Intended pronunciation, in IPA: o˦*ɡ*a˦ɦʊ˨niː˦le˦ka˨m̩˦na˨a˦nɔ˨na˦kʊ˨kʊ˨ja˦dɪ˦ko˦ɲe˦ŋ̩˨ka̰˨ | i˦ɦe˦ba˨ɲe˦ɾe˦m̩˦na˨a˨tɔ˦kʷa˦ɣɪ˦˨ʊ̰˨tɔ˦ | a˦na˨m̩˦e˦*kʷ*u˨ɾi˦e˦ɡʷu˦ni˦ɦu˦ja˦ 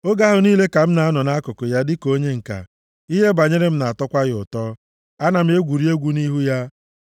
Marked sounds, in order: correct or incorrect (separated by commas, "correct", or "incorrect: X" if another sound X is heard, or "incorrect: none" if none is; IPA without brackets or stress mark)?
correct, incorrect: ɡʷ